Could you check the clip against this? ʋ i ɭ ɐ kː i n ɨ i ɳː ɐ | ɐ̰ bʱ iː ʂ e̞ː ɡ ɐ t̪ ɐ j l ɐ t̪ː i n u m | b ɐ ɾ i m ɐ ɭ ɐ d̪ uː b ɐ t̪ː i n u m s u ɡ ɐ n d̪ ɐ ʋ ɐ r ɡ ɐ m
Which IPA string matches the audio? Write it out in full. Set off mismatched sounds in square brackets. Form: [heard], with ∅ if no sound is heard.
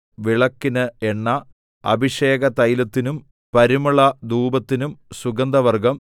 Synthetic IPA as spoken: ʋ i ɭ ɐ kː i n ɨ [e] ɳː ɐ | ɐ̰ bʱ [i] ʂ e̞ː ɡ ɐ t̪ ɐ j l ɐ t̪ː i n u m | [p] ɐ ɾ i m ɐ ɭ ɐ d̪ uː b ɐ t̪ː i n u m s u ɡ ɐ n d̪ ɐ ʋ ɐ r ɡ ɐ m